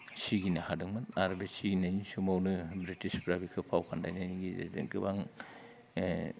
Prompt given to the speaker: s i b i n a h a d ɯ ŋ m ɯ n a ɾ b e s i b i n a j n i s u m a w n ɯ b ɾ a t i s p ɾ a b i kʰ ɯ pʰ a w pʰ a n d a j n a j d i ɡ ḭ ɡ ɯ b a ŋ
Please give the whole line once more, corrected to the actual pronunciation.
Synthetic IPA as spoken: s i ɡ i n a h a d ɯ ŋ m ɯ n a ɾ b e s i ɡ i n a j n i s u m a w n ɯ b ɾ i t i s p ɾ a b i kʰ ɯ pʰ a w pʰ a n d a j n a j n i ɡ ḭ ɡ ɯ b a ŋ